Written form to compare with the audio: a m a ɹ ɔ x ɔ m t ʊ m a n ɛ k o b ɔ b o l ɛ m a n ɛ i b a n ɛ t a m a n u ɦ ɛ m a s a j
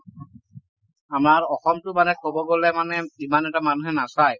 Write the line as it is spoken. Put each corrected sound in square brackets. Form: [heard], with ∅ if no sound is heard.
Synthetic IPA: a m a ɹ ɔ x ɔ m t ʊ m a n ɛ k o b ɔ [ɡ] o l ɛ m a n ɛ i [m] a n ɛ t a m a n u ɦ ɛ [n] a s a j